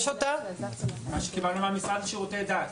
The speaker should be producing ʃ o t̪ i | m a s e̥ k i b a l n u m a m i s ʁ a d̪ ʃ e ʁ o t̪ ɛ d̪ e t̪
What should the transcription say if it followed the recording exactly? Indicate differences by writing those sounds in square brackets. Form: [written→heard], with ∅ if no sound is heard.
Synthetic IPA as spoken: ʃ o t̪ [i→a] | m a [s→ʃ] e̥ k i b a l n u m a m i s ʁ a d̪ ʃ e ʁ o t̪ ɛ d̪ [e→a] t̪

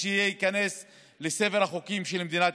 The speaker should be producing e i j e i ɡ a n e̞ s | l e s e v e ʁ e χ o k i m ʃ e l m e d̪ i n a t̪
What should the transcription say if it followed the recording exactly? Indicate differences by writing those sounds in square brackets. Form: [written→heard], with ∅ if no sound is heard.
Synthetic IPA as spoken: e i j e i [ɡ→k] a n e̞ s | l e s e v e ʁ [e→a] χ o k i m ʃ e l m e d̪ i n a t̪

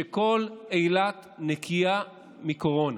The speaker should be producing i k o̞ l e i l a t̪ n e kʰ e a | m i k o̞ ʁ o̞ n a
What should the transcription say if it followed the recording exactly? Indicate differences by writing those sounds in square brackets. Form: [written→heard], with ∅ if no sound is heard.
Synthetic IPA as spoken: [i→e] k o̞ l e [i→j] l a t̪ n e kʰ [e→i] a | m i k o̞ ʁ o̞ n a

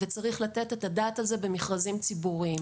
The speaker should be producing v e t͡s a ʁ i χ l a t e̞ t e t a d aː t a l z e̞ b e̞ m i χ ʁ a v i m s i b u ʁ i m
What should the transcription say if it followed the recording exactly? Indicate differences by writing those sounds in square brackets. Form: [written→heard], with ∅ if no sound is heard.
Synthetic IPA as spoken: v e t͡s a ʁ i χ l a t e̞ t e t a d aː t a l z e̞ b e̞ m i χ ʁ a [v→z] i m [s→t͡s] i b u ʁ i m

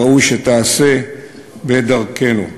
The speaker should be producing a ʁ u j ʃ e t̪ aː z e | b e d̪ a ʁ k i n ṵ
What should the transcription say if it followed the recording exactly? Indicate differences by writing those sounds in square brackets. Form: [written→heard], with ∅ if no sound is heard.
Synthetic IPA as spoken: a [ʁ→∅] u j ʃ e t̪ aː [z→s] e | b e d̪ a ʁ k [i→e] n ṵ

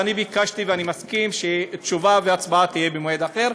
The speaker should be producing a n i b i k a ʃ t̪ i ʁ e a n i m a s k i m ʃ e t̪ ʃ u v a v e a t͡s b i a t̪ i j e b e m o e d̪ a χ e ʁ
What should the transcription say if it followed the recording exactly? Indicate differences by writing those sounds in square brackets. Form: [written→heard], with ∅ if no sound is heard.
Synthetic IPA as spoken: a n i b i k a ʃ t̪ i [ʁ→v] e a n i m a s k i m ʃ e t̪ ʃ u v a v e a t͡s b [i→a] a t̪ i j e b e m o e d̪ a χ e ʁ

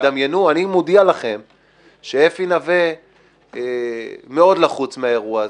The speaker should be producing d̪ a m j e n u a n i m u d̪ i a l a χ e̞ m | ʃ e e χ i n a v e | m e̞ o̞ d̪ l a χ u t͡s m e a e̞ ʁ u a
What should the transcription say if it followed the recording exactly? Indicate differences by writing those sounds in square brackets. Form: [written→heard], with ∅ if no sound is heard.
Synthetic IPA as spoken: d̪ a m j e n u a n i m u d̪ i a l a χ e̞ m | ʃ e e [χ→f] i n a v e | m e̞ o̞ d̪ l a χ u t͡s m e a e̞ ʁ u a

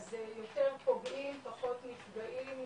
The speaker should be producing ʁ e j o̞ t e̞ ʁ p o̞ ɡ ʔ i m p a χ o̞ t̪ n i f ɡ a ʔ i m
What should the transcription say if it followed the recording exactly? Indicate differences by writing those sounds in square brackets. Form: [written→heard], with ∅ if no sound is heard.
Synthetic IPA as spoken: [ʁ→z] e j o̞ t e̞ ʁ p o̞ ɡ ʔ i m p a χ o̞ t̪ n i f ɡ a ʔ i m

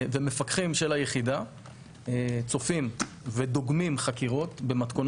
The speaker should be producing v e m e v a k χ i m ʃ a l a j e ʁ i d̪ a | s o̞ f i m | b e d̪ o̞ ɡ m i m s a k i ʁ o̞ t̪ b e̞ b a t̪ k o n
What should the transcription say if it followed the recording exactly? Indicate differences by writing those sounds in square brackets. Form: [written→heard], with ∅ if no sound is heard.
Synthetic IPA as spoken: v e m e [v→f] a k χ i m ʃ [a→e] l a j e [ʁ→χ] i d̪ a | [s→t͡s] o̞ f i m | [b→v] e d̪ o̞ ɡ m i m [s→χ] a k i ʁ o̞ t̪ b e̞ [b→m] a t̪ k o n

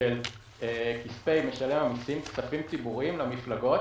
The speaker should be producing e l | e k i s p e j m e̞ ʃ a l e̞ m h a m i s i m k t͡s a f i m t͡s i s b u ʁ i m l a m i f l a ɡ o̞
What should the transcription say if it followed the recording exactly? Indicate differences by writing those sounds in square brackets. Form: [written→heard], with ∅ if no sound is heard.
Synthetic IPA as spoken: e l | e k i s p e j m e̞ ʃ a l e̞ m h a m i s i m k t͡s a f i m t͡s i [s→∅] b u ʁ i m l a m i f l a ɡ o̞

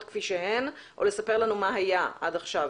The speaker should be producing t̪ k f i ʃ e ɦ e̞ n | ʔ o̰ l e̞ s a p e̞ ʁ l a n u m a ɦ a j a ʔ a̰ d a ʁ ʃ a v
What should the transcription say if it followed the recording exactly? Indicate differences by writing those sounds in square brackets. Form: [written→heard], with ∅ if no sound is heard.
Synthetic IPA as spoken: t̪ k f i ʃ e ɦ e̞ n | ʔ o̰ l e̞ s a p e̞ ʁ l a n u m a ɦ a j a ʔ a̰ d a [ʁ→χ] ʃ a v

